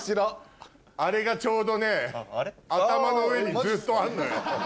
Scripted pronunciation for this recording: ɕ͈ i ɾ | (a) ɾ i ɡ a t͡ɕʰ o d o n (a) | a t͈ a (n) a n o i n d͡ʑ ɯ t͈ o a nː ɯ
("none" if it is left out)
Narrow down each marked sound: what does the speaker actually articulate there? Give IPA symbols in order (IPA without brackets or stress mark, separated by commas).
a, e, m